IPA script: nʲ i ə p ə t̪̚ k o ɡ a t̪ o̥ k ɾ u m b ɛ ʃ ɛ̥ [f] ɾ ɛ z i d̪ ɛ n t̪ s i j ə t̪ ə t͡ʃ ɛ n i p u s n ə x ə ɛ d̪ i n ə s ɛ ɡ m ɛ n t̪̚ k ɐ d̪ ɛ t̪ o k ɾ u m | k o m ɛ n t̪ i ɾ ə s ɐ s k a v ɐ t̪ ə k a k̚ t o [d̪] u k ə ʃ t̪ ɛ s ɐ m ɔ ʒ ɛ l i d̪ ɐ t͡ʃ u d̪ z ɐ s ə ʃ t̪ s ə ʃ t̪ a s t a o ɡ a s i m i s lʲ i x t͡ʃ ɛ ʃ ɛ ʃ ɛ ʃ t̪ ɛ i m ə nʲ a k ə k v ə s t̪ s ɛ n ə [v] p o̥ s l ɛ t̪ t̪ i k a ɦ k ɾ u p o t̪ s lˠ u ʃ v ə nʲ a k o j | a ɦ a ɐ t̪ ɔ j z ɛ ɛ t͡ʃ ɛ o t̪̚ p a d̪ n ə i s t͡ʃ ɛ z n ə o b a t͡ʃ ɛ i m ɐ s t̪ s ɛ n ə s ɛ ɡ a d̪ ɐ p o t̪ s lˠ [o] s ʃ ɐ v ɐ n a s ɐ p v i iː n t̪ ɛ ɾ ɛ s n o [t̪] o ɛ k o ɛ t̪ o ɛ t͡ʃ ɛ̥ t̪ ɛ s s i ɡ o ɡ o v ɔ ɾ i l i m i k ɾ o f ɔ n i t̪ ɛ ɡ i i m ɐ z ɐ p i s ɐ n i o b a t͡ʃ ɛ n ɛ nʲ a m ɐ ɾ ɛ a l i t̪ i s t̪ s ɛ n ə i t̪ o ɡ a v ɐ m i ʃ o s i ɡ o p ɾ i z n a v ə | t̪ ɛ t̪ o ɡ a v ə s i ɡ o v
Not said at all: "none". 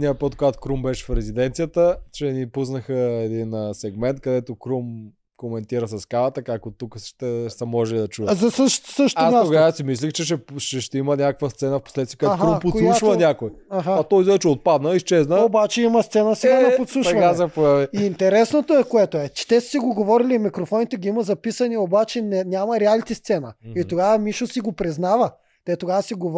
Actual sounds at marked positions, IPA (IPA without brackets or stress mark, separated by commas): f, t̪, f, u, t̪